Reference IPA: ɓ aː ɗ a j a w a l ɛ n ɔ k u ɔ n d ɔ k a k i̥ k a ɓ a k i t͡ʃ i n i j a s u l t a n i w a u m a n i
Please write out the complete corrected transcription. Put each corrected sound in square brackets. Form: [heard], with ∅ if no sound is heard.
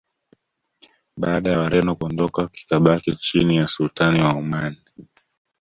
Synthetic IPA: ɓ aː ɗ a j a w a [ɾ] ɛ n ɔ k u ɔ n d ɔ k a k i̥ k a ɓ a k i t͡ʃ i n i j a s u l t a n i w a u m a n i